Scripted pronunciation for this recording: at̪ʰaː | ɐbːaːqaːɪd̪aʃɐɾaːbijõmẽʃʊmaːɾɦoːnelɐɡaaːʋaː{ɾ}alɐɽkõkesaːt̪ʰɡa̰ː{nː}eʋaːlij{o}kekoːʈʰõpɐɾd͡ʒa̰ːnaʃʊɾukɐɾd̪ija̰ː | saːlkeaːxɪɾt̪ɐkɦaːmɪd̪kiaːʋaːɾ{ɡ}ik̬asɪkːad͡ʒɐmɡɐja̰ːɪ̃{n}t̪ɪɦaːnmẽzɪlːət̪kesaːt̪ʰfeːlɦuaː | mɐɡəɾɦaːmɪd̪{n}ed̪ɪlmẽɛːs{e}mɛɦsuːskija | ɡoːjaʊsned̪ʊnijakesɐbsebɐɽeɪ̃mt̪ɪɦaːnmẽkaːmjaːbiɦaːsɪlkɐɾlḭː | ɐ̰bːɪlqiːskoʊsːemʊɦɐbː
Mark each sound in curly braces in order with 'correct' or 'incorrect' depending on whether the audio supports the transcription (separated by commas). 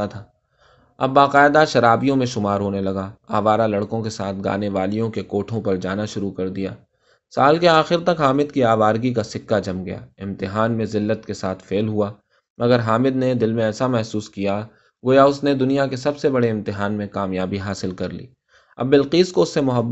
correct, incorrect, incorrect, correct, incorrect, correct, incorrect